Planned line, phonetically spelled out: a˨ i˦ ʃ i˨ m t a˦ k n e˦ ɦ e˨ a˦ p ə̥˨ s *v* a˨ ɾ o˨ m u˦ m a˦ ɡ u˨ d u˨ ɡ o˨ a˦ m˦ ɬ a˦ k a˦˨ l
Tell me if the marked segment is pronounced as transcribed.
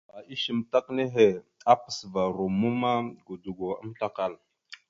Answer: yes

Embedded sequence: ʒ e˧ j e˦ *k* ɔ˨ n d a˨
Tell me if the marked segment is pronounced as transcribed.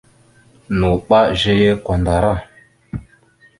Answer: yes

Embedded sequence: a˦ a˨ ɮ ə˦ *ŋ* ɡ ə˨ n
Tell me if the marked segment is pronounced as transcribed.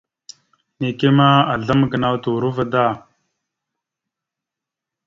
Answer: no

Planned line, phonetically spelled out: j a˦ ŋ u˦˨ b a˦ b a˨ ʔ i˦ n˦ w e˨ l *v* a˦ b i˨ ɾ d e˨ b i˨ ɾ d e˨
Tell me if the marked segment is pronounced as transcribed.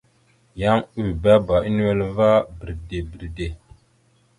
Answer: yes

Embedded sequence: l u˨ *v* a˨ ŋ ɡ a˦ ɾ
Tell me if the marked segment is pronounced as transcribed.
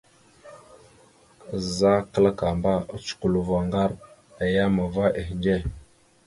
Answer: yes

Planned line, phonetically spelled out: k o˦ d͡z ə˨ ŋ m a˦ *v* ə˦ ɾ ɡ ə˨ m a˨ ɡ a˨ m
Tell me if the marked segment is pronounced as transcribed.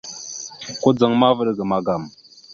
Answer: yes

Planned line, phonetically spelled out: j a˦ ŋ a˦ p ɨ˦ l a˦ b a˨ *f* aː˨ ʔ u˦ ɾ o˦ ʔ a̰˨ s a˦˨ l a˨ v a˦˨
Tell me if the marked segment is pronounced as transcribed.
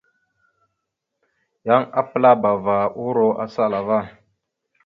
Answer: no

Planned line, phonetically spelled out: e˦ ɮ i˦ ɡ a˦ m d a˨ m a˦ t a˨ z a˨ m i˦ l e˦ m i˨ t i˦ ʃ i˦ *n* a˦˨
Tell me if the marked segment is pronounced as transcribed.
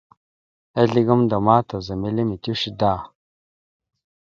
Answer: no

